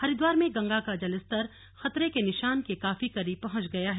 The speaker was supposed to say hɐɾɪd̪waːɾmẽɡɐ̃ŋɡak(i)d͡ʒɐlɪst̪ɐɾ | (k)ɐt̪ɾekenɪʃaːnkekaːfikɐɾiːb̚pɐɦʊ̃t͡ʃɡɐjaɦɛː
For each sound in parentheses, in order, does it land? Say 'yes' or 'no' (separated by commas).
no, no